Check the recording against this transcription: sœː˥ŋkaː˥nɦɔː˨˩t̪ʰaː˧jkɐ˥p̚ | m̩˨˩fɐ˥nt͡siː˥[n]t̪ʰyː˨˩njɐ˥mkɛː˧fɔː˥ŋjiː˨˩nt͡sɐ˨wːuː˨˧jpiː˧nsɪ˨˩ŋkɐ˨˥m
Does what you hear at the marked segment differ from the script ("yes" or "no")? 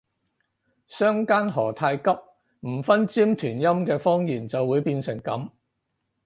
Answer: yes